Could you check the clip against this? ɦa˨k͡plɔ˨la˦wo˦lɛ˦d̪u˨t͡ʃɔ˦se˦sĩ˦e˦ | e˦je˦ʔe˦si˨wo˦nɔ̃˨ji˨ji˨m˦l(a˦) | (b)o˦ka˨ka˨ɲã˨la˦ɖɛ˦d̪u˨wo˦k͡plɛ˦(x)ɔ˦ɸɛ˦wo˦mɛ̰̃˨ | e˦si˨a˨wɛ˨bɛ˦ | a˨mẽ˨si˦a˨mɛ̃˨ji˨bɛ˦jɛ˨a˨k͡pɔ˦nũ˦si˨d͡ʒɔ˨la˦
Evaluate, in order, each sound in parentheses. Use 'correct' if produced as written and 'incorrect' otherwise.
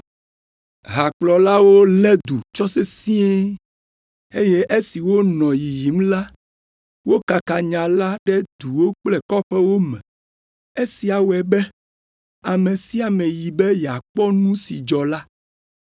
correct, incorrect, incorrect

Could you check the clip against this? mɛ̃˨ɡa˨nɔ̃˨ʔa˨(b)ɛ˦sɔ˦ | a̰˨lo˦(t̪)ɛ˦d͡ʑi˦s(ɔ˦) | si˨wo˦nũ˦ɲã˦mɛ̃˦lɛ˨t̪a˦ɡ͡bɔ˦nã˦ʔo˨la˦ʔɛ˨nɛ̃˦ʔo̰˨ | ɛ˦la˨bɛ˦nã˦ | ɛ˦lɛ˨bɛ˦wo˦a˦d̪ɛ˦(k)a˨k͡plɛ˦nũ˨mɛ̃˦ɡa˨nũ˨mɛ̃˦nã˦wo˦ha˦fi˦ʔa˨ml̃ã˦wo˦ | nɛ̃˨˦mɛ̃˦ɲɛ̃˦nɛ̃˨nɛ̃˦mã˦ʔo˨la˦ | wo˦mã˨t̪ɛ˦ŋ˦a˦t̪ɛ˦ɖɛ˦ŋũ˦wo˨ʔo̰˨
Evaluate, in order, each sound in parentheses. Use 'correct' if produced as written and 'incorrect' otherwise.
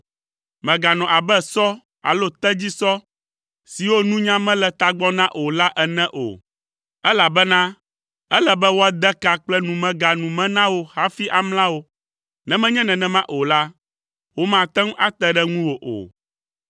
correct, correct, correct, correct

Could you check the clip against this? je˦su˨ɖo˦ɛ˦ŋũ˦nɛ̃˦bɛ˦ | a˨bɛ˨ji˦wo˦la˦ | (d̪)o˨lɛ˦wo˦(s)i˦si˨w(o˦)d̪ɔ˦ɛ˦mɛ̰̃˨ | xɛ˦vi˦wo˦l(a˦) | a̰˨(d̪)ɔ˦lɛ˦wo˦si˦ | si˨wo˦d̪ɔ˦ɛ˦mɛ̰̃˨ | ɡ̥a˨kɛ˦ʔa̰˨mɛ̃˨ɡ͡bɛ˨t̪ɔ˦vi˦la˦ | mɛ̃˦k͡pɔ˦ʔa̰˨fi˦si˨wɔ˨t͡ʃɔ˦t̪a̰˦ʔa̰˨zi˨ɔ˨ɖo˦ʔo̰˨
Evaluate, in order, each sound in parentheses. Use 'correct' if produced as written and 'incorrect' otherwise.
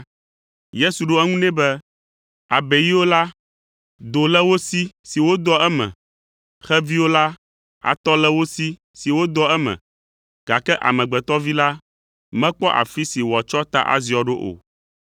correct, correct, correct, correct, incorrect

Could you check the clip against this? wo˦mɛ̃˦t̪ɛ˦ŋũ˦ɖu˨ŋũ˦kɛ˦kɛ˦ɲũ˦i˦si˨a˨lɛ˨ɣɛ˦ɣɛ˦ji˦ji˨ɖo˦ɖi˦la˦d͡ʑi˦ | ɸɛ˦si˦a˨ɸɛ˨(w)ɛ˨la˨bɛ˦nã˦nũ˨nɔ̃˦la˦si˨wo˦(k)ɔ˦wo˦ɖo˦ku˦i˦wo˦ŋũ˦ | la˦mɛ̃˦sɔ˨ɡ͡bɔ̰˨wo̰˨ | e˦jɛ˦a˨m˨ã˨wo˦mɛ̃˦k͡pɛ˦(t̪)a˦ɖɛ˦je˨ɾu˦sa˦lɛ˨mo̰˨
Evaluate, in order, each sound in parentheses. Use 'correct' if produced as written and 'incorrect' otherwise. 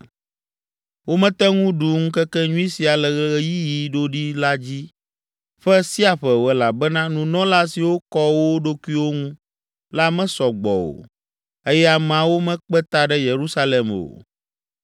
correct, correct, correct

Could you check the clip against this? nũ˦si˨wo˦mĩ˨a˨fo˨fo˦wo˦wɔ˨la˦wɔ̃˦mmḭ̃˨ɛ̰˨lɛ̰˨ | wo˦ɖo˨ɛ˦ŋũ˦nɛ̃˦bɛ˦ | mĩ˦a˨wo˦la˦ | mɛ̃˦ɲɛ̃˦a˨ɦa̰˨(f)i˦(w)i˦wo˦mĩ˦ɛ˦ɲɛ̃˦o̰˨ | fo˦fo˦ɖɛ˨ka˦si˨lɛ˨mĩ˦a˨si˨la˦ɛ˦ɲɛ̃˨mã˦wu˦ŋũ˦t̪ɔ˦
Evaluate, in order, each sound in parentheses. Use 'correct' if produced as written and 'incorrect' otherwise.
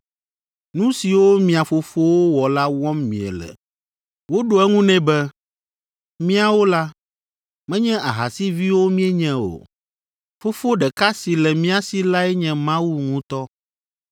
incorrect, incorrect

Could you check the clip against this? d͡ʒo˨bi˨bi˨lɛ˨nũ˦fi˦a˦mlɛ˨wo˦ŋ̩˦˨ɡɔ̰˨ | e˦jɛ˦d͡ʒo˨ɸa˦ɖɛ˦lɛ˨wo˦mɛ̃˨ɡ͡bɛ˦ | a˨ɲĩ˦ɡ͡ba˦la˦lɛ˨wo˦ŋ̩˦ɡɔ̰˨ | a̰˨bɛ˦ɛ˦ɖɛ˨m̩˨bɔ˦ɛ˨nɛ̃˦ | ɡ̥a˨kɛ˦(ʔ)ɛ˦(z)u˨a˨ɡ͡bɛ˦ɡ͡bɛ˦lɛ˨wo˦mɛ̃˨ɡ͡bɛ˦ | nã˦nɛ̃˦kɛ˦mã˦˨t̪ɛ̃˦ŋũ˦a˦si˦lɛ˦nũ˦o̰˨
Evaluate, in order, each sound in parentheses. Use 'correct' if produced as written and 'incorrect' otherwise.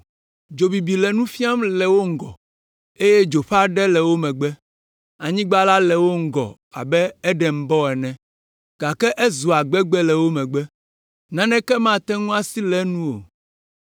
correct, correct

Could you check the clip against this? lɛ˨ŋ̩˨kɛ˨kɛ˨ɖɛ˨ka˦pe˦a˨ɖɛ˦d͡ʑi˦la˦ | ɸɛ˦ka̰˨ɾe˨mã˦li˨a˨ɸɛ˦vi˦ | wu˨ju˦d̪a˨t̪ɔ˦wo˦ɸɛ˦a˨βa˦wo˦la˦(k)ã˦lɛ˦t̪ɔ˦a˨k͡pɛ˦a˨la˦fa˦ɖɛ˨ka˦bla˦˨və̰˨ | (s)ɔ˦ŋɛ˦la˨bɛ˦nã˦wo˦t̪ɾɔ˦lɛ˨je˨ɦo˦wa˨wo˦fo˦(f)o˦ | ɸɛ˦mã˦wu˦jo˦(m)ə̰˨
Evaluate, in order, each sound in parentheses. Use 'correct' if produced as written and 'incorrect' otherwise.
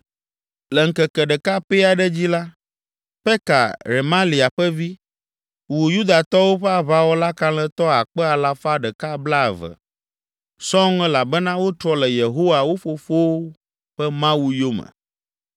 correct, correct, correct, correct

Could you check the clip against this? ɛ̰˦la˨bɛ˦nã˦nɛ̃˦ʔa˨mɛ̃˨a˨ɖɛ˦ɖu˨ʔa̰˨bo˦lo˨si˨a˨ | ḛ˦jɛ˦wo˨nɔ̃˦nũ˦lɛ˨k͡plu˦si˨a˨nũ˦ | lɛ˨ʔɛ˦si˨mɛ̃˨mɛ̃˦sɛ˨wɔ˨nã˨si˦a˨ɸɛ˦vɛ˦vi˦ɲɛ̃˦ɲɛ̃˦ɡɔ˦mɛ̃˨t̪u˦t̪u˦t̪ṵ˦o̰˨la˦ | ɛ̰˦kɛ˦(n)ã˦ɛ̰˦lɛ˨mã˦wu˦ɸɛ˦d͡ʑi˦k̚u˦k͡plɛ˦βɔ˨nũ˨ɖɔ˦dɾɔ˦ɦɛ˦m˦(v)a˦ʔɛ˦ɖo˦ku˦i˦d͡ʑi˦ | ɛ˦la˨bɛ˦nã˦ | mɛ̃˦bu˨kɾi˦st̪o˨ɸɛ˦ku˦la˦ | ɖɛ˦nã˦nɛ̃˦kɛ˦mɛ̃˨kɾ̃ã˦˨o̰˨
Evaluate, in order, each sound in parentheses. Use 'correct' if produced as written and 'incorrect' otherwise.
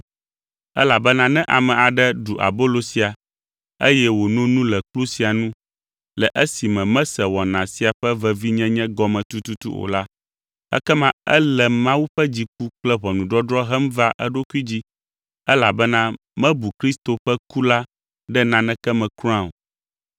incorrect, correct

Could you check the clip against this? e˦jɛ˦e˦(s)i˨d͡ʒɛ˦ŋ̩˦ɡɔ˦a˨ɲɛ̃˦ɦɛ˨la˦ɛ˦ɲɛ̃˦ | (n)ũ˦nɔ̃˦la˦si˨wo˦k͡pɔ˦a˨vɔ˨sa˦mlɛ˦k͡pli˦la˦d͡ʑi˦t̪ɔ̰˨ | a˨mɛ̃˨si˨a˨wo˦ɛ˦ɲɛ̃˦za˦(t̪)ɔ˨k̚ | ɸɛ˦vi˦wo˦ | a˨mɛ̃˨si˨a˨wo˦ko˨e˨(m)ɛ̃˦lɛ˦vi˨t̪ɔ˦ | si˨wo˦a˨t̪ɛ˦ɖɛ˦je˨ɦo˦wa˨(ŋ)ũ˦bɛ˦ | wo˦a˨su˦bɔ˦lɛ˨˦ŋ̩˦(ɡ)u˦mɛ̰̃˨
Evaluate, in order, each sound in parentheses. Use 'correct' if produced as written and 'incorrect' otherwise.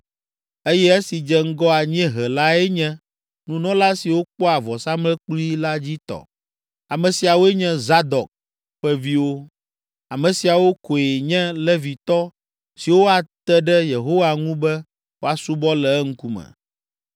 correct, correct, incorrect, incorrect, correct, incorrect

